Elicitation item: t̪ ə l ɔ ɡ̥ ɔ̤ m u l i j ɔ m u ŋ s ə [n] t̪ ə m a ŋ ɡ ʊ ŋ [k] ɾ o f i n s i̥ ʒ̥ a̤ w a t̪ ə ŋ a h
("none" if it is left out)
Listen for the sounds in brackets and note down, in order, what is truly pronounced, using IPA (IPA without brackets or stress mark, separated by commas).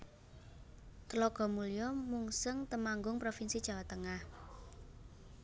ŋ, p